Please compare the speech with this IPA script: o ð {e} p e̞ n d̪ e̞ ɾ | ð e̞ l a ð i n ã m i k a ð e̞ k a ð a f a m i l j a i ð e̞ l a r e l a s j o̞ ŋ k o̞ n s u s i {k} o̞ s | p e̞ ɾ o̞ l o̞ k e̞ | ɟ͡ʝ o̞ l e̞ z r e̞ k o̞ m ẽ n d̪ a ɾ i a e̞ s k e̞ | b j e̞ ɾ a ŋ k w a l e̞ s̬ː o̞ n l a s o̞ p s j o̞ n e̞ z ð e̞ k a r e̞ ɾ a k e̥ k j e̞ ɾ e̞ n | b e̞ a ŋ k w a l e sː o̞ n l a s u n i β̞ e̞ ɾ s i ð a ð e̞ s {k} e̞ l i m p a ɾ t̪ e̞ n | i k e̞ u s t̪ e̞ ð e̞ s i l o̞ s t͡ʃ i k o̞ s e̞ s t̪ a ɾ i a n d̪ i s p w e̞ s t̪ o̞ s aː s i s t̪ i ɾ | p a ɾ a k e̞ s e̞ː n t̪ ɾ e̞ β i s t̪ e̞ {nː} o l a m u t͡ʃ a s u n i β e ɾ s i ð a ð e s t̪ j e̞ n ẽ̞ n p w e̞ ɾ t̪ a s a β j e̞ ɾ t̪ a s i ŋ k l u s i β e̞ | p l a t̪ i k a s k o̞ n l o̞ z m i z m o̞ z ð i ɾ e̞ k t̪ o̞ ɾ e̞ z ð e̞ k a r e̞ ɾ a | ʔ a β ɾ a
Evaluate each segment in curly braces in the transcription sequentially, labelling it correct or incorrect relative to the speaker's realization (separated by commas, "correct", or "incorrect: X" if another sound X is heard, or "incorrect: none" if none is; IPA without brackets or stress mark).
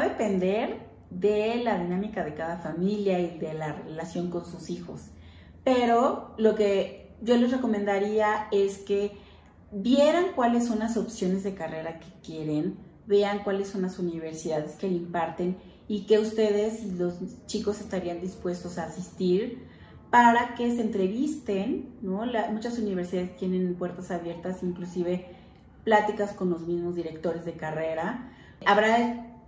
correct, incorrect: x, correct, correct